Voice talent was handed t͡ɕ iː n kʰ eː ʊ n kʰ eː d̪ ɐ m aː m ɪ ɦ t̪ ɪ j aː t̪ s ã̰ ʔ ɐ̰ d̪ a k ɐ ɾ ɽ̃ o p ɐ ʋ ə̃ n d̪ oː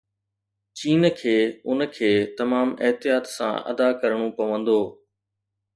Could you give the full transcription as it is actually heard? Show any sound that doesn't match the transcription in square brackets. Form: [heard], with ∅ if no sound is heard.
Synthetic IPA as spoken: t͡ɕ iː n kʰ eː ʊ n kʰ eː [t̪] ɐ m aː m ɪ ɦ t̪ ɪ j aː t̪ s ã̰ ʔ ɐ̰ d̪ a k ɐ ɾ ɽ̃ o p ɐ ʋ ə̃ n d̪ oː